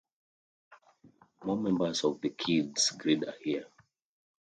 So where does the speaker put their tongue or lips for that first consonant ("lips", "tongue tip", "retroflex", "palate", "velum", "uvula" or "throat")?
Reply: lips